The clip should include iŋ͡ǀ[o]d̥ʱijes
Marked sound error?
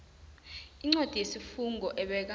no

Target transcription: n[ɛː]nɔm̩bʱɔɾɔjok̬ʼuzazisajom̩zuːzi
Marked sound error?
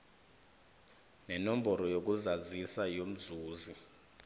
yes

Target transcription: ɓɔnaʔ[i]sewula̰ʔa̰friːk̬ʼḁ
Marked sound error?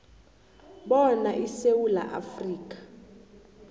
no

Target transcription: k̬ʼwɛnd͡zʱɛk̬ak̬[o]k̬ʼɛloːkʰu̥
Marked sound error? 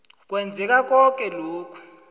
yes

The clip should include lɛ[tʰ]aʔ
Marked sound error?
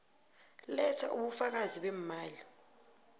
no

